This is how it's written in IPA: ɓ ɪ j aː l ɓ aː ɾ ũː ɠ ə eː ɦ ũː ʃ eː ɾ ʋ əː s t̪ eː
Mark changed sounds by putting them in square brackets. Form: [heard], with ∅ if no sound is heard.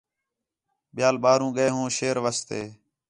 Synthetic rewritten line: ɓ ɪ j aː l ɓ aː ɾ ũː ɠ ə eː ɦ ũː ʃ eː ɾ ʋ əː s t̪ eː